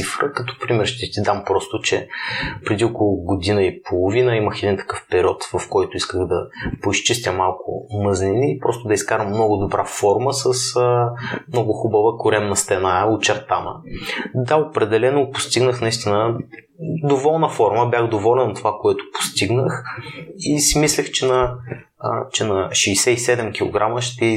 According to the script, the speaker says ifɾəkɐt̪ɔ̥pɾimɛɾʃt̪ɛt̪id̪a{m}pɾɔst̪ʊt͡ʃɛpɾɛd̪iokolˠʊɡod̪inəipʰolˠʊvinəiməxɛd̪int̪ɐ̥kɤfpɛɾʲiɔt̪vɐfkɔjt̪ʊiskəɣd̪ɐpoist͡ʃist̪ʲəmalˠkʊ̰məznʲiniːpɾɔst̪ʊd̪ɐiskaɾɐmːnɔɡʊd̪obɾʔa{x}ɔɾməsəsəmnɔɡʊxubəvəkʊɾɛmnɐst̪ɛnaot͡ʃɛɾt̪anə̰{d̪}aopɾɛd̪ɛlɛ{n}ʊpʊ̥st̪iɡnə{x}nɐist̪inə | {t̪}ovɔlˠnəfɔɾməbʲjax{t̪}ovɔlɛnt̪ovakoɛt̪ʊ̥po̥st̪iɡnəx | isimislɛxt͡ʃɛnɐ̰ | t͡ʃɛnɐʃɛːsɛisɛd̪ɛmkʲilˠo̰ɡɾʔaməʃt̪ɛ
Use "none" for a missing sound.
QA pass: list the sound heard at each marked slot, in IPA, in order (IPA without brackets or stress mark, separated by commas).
m, f, d̪, n, x, d̪, d̪